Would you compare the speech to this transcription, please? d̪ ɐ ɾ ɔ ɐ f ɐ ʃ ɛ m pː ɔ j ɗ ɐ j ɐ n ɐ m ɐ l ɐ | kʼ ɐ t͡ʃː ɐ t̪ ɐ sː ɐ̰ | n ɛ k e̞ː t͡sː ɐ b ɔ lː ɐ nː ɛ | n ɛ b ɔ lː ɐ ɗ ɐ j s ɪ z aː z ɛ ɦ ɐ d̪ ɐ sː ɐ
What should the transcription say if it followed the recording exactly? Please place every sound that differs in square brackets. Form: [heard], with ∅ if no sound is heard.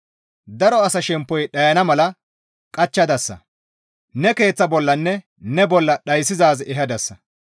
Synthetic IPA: d̪ ɐ ɾ ɔ ɐ [s] ɐ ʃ ɛ m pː ɔ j ɗ ɐ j ɐ n ɐ m ɐ l ɐ | kʼ ɐ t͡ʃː ɐ [d̪] ɐ sː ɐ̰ | n ɛ k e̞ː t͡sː ɐ b ɔ lː ɐ nː ɛ | n ɛ b ɔ lː ɐ ɗ ɐ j s ɪ z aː z ɛ ɦ ɐ d̪ ɐ sː ɐ